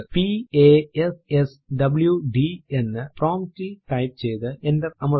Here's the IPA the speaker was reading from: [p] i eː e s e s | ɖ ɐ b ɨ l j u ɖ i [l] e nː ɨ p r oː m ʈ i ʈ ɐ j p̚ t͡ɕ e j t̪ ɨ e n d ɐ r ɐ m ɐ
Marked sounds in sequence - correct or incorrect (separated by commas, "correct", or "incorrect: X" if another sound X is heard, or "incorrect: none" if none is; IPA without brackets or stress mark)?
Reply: correct, incorrect: none